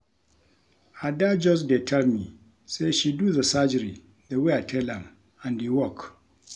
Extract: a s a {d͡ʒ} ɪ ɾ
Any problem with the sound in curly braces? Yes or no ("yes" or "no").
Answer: no